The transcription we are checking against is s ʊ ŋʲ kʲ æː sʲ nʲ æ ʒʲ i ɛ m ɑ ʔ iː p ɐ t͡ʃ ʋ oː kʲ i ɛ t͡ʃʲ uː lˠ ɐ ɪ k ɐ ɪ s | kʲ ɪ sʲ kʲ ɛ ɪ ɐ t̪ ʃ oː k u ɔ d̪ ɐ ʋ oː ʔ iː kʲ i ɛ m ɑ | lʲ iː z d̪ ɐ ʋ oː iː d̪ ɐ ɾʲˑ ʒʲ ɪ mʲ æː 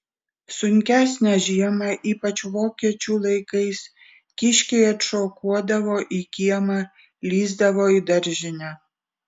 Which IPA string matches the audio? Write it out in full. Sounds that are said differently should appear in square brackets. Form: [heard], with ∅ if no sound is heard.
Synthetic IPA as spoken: s ʊ ŋʲ kʲ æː sʲ nʲ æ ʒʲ i ɛ m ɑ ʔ iː p ɐ t͡ʃ ʋ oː kʲ i ɛ t͡ʃʲ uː lˠ ɐ ɪ k ɐ ɪ s | kʲ ɪ [ʃʲ] kʲ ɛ ɪ ɐ t̪ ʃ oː k u ɔ d̪ ɐ ʋ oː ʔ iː kʲ i ɛ m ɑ | lʲ iː z d̪ ɐ ʋ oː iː d̪ ɐ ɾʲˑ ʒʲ ɪ [nʲ] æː